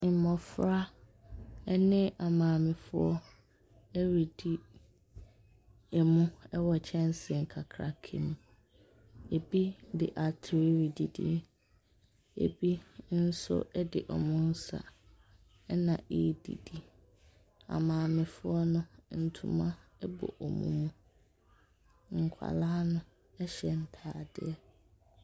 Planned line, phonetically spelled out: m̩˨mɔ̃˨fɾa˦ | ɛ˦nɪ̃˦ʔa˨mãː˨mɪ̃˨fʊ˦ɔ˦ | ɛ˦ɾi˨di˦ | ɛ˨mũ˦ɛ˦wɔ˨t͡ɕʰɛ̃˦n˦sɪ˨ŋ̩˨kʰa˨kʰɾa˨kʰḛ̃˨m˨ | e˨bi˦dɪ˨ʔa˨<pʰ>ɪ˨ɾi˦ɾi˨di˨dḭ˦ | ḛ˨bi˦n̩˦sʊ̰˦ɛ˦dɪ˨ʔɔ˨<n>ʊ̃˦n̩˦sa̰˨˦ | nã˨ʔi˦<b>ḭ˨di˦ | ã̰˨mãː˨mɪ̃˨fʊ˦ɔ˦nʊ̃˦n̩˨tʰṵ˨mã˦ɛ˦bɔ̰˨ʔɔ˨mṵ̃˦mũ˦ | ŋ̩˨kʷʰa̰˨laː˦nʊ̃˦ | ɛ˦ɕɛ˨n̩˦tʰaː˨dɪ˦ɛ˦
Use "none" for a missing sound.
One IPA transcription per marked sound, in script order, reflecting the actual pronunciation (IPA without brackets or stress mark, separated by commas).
tʰ, m, d